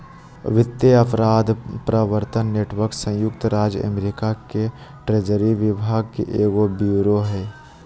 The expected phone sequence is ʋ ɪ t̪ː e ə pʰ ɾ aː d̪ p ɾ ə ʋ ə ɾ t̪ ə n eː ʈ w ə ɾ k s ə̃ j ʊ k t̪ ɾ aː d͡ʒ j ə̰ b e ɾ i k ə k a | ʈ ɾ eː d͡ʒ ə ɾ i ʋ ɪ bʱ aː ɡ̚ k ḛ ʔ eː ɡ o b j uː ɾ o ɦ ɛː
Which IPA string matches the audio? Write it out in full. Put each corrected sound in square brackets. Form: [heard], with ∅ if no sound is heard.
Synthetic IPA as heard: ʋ ɪ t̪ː e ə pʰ ɾ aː d̪ p ɾ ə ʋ ə ɾ t̪ ə [nː] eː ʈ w ə ɾ k s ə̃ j ʊ k t̪ ɾ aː d͡ʒ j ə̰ [m] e ɾ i k [a] k [e] | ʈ ɾ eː d͡ʒ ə ɾ i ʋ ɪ bʱ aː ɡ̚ k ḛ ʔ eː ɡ o b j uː ɾ o ɦ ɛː